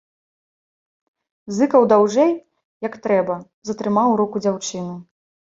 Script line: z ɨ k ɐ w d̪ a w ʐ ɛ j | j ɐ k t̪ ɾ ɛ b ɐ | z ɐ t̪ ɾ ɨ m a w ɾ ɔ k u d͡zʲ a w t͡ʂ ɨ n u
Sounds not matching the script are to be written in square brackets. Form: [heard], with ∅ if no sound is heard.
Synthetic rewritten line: z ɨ k ɐ w d̪ a w ʐ ɛ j | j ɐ k t̪ ɾ ɛ b ɐ | z ɐ t̪ ɾ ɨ m a w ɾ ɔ k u d͡zʲ a w t͡ʂ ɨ n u